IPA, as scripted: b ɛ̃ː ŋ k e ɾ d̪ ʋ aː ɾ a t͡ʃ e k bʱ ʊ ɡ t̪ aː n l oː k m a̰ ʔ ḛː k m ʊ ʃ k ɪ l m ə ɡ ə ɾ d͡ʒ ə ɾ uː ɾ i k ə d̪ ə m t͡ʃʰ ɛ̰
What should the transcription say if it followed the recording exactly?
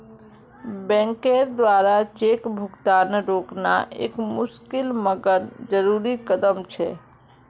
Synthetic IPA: b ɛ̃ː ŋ k e ɾ d̪ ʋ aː ɾ a t͡ʃ e k bʱ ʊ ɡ t̪ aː n ɾ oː k n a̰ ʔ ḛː k m ʊ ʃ k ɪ l m ə ɡ ə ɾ d͡ʒ ə ɾ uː ɾ i k ə d̪ ə m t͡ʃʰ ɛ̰